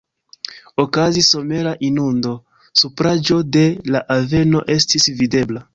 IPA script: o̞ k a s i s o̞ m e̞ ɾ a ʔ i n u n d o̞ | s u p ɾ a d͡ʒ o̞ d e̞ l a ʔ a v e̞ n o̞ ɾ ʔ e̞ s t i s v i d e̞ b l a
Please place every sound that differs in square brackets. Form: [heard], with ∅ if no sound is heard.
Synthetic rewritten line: o̞ k a [z] i s o̞ m e̞ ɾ a ʔ i n u n d o̞ | s u p ɾ a d͡ʒ o̞ d e̞ l a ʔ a v e̞ n o̞ [∅] ʔ e̞ s t i s v i d e̞ b l a